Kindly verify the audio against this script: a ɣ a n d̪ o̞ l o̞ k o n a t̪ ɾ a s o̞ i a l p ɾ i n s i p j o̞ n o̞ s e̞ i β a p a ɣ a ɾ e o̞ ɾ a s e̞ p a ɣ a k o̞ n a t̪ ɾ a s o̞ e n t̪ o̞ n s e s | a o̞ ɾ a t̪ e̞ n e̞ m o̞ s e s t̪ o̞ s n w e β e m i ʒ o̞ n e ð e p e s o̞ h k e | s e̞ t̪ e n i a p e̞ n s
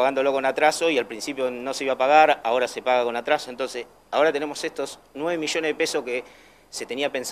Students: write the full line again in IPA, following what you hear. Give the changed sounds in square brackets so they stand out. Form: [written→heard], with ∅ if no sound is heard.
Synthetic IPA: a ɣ a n d̪ o̞ l o̞ k o n a t̪ ɾ a s o̞ i a l p ɾ i n s i p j o̞ n o̞ s e̞ i β a p a ɣ a ɾ [e→a] o̞ ɾ a s e̞ p a ɣ a k o̞ n a t̪ ɾ a s o̞ e n t̪ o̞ n s e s | a o̞ ɾ a t̪ e̞ n e̞ m o̞ s e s t̪ o̞ s n w e β e m i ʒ o̞ n e ð e p e s o̞ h k e | s e̞ t̪ e n i a p e̞ n s